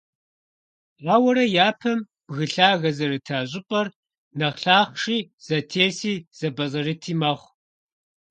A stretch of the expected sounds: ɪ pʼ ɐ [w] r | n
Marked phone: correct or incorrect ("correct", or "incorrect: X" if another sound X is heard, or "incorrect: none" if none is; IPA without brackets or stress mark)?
incorrect: none